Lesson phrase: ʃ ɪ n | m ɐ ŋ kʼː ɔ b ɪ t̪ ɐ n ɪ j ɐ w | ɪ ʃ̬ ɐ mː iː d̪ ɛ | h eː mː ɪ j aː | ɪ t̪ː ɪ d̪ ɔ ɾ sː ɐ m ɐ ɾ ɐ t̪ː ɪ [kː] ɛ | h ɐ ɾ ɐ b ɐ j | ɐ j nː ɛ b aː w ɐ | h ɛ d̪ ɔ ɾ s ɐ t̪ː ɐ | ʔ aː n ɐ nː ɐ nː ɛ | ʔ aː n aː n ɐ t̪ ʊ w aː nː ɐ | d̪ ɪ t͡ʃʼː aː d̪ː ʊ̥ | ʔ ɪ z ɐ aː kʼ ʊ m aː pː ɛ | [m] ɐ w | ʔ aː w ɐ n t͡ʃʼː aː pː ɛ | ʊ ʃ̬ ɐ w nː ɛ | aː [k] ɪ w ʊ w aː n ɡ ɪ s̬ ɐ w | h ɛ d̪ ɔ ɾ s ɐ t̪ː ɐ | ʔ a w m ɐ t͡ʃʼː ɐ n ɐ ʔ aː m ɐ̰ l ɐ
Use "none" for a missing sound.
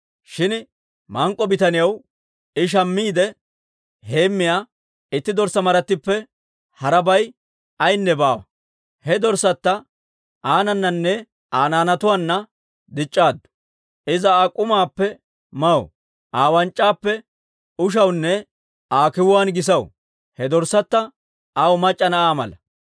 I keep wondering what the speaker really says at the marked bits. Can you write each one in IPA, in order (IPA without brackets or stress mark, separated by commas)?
pː, m, k